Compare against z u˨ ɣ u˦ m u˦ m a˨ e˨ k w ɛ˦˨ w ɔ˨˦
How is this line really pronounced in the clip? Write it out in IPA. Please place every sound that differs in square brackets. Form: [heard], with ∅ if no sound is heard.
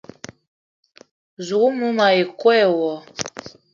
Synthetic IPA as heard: z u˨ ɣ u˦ m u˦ m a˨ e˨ k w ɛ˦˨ w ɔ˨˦